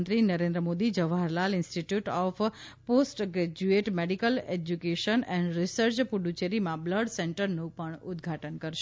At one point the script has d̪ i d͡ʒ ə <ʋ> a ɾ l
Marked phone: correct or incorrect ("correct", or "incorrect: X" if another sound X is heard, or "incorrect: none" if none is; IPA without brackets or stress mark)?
correct